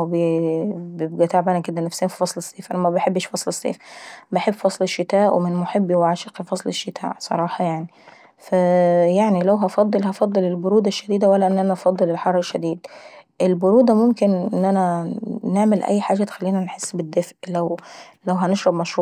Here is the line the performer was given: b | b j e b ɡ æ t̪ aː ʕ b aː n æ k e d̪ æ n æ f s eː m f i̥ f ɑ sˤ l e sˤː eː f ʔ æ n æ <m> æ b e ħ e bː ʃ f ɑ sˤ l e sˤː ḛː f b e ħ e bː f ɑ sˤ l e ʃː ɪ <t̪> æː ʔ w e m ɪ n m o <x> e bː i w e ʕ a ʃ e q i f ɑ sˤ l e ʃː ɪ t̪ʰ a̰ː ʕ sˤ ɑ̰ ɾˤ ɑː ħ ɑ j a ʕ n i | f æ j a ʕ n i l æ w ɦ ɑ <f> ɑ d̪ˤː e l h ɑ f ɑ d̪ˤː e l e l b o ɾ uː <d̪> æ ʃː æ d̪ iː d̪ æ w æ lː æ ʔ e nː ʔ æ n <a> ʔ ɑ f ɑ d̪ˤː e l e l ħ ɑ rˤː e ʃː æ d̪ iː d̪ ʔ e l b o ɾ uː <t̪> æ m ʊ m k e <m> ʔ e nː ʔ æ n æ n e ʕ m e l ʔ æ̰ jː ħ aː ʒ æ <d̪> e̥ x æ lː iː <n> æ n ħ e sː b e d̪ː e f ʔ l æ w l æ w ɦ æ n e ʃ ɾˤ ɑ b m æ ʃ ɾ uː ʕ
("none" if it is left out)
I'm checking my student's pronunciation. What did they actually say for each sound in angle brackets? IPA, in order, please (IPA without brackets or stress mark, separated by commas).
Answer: m, t̪, ħ, f, d̪, æ, d̪, n, t̪, n